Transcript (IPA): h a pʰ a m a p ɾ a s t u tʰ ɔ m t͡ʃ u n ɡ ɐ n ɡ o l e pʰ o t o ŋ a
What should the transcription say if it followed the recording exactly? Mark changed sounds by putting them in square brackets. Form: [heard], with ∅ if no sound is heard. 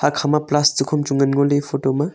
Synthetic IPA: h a [kʰ] a m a p [l] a s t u [kʰ] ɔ m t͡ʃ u [ŋ] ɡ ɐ n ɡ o l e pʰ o t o [m] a